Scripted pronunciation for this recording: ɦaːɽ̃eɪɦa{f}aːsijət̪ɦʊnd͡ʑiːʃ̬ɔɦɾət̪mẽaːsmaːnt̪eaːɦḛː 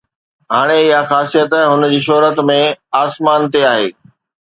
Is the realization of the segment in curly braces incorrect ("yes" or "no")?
yes